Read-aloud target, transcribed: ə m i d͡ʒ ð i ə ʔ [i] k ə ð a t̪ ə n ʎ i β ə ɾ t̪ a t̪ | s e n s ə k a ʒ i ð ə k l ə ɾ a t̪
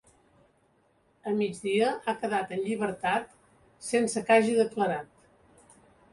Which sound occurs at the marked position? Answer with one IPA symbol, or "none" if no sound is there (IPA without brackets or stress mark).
a